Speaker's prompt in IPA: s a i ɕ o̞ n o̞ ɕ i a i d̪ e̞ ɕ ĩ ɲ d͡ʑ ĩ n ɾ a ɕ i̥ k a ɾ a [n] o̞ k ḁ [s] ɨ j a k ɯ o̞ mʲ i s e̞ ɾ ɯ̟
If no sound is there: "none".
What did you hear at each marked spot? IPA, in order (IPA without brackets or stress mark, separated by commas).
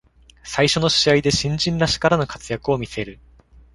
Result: n, t͡s